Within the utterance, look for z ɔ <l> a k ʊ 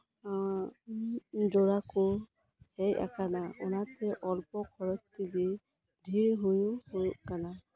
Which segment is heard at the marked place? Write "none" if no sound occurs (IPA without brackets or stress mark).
ɹ